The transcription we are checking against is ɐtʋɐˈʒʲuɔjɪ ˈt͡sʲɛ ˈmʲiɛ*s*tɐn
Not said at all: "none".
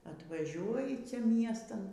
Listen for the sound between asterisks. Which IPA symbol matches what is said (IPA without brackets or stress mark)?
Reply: s